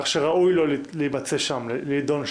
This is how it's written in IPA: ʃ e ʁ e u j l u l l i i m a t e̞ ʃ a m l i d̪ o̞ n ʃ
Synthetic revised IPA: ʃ e ʁ a u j l o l l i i b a t͡s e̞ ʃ a m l i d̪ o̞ n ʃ